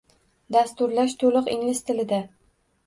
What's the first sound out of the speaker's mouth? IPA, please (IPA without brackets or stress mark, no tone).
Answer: d̪